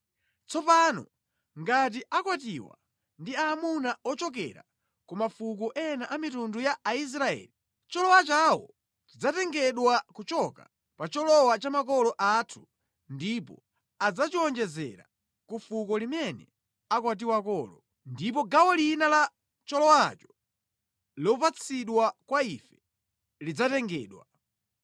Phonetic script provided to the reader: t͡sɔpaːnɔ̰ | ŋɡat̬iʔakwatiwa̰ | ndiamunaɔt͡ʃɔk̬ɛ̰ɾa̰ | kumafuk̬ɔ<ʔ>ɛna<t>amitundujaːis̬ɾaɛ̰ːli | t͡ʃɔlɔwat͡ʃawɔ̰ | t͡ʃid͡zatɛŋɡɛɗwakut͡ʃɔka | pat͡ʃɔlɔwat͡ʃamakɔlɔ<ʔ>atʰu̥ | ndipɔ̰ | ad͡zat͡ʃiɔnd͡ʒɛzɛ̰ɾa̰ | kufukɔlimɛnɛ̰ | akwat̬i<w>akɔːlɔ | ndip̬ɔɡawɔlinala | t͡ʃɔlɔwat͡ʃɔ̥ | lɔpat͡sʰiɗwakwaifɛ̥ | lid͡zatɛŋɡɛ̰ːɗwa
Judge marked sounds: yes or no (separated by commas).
yes, no, yes, yes